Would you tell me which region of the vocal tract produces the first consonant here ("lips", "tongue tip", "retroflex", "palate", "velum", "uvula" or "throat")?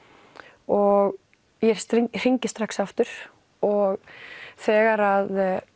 velum